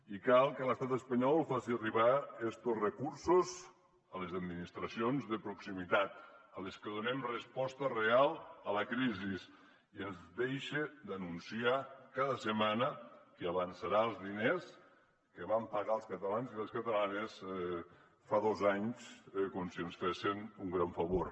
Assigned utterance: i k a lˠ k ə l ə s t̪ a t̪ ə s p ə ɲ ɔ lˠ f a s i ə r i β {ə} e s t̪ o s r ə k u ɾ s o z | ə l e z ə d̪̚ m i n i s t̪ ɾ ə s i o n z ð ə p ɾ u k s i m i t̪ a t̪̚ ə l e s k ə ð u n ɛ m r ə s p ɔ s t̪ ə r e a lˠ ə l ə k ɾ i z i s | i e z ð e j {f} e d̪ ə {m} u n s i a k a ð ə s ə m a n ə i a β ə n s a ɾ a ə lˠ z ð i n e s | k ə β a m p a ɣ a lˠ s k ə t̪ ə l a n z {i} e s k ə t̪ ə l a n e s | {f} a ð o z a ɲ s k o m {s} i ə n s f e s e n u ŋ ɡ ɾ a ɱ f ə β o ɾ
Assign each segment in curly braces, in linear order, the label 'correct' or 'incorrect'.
incorrect: a, incorrect: ʃ, incorrect: n, correct, correct, correct

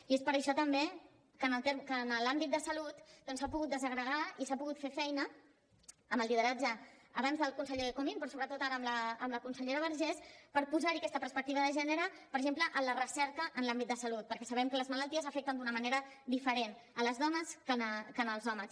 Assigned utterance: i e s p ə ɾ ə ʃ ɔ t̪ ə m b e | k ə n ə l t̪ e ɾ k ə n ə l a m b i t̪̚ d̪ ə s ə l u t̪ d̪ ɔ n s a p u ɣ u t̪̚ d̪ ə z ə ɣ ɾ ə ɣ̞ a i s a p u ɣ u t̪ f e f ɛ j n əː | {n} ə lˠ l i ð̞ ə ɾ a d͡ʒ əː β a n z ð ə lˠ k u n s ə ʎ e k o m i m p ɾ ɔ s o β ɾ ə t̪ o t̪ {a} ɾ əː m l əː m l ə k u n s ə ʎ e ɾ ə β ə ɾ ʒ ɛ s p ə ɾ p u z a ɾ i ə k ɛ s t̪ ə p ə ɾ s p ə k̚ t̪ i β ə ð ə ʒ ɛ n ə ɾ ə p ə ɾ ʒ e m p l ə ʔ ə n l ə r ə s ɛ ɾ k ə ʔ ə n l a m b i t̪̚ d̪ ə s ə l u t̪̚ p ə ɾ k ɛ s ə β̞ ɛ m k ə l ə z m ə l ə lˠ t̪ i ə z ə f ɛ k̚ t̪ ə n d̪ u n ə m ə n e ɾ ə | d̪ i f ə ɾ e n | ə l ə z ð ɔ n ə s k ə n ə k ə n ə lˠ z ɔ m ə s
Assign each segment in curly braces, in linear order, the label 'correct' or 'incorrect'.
incorrect: m, correct

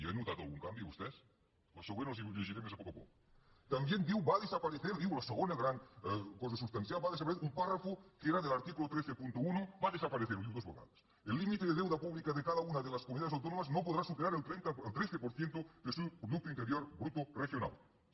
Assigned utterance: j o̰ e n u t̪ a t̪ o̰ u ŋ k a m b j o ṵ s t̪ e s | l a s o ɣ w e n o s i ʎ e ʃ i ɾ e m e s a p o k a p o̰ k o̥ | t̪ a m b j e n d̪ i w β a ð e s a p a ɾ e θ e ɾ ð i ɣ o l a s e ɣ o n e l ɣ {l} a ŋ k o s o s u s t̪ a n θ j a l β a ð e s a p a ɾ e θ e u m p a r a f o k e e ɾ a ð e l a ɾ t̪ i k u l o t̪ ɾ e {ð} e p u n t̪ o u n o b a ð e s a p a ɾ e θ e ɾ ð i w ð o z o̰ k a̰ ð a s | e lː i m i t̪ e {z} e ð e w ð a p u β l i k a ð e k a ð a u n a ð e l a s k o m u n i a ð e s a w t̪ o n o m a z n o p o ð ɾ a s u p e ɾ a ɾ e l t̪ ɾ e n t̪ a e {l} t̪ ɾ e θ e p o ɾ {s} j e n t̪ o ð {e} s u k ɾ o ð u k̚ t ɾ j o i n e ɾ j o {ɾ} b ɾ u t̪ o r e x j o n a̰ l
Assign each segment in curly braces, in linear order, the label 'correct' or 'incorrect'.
incorrect: ɾ, incorrect: θ, incorrect: ð, correct, incorrect: θ, correct, correct

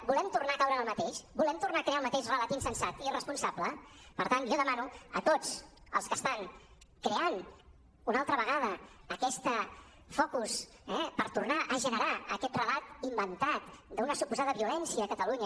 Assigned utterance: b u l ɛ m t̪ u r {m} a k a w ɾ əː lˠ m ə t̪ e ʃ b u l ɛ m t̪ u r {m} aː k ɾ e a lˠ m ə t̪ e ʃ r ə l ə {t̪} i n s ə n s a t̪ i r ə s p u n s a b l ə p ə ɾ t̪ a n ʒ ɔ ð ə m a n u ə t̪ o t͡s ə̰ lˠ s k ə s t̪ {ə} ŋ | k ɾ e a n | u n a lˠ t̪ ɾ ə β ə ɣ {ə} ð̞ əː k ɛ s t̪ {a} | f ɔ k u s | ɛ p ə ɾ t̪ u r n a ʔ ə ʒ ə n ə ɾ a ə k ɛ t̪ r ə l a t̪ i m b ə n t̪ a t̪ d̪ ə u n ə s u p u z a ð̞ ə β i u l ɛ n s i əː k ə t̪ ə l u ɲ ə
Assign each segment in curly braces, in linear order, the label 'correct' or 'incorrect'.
incorrect: n, incorrect: n, correct, incorrect: a, incorrect: a, incorrect: ə

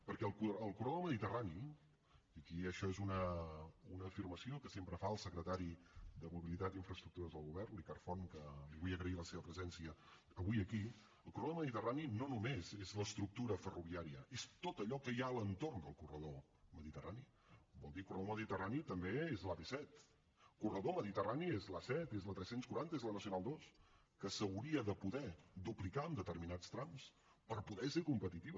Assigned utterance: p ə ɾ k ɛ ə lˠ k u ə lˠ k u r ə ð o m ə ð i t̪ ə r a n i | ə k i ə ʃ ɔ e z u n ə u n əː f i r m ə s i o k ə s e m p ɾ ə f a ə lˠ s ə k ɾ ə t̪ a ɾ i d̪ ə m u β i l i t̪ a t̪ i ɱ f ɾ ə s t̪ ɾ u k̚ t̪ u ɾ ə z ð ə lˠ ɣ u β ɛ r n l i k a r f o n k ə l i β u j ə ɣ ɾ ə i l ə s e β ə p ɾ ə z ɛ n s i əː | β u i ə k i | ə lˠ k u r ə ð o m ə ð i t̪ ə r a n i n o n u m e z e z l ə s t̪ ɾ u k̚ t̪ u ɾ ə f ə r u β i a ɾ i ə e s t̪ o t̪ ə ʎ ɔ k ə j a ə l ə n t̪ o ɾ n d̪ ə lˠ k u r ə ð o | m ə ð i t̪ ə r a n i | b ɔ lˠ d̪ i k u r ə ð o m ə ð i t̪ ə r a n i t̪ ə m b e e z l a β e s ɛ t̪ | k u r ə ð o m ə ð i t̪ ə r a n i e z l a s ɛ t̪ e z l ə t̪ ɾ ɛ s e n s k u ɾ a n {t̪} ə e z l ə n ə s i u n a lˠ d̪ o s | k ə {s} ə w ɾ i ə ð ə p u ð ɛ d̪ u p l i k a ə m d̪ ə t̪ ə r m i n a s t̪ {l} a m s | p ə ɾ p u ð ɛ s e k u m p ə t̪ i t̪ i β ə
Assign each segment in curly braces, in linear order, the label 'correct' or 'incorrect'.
correct, correct, incorrect: ɾ

